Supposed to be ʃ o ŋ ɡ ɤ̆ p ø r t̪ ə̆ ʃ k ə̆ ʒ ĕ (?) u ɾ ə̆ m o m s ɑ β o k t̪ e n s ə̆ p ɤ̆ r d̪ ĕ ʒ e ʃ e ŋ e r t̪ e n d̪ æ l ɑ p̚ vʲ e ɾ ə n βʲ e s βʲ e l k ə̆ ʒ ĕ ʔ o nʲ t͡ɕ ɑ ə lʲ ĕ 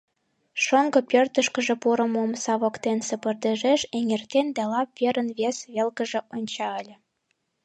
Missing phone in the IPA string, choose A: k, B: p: B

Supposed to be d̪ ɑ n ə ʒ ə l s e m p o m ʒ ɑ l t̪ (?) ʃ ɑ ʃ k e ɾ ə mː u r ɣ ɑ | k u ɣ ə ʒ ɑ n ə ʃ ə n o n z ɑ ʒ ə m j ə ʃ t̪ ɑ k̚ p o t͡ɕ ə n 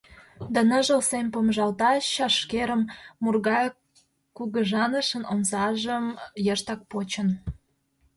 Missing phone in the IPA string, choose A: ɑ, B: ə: A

